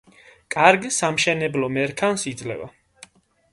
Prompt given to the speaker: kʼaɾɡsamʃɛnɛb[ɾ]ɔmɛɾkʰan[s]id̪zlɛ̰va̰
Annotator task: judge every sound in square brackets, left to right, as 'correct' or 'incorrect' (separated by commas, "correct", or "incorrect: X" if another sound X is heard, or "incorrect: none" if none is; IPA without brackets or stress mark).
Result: incorrect: l, correct